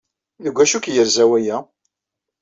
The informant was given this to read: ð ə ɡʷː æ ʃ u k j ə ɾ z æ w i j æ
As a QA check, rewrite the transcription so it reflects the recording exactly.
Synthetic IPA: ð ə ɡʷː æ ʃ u k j ə ɾ z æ w æ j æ